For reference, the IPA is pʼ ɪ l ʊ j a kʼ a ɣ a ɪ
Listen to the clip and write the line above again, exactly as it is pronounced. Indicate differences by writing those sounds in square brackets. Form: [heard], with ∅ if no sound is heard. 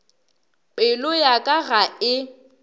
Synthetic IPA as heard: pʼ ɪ l ʊ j a kʼ a ɣ a ɪ